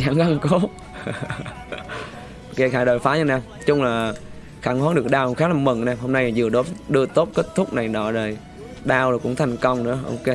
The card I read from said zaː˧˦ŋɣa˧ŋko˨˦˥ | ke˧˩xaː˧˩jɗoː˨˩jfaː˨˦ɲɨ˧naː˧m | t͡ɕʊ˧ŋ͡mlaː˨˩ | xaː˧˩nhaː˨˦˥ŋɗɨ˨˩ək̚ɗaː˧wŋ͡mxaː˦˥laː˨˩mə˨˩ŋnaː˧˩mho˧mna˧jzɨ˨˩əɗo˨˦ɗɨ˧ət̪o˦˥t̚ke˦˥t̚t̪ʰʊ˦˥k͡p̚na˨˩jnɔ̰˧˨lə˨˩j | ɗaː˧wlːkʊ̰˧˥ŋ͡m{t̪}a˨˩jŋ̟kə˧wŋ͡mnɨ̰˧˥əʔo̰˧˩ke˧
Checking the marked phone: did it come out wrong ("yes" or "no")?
yes